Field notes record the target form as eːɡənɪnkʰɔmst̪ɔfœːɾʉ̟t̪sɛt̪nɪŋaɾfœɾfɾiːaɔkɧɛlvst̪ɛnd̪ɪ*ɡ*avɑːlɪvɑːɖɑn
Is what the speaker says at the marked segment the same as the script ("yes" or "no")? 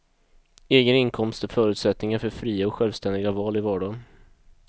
yes